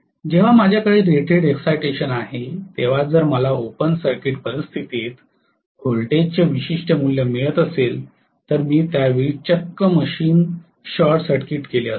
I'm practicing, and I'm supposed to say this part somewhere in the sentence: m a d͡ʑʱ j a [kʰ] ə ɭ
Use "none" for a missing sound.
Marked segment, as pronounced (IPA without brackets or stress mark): k